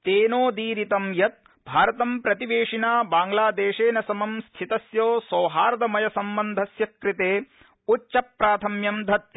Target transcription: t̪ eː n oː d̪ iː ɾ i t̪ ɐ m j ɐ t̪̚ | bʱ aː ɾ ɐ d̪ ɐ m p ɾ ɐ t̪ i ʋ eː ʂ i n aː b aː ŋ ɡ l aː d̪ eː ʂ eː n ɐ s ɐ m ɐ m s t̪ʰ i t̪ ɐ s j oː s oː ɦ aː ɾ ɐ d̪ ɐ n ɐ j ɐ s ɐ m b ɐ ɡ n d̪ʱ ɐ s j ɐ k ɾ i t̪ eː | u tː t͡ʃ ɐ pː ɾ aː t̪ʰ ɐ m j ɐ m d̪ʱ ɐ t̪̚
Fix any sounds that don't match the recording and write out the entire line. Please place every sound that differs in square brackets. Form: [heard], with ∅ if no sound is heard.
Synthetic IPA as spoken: t̪ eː n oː d̪ iː ɾ i t̪ ɐ m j ɐ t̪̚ | bʱ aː ɾ ɐ [t̪] ɐ m p ɾ ɐ t̪ i ʋ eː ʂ i n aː b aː ŋ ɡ l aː d̪ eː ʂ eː n ɐ s ɐ m ɐ m s t̪ʰ i t̪ ɐ s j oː s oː ɦ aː ɾ ɐ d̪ ɐ [m] ɐ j ɐ s ɐ m b ɐ [∅] n d̪ʱ ɐ s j ɐ k ɾ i t̪ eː | u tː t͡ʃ ɐ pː ɾ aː t̪ʰ ɐ m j ɐ m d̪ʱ ɐ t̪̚